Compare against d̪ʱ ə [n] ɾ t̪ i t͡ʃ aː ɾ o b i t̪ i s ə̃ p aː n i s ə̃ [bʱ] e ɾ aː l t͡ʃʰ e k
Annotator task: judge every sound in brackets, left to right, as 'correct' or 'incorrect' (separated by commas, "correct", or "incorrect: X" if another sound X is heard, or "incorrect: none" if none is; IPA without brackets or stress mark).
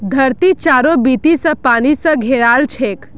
incorrect: none, incorrect: ɡʱ